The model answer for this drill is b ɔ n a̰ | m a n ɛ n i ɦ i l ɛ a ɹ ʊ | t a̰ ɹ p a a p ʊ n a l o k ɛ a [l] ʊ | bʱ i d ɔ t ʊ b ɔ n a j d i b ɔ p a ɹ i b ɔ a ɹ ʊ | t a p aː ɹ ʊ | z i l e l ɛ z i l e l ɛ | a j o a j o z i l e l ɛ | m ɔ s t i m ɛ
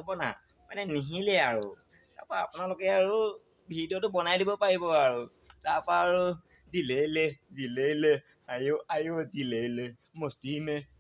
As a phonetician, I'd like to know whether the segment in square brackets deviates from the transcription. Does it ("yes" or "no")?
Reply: yes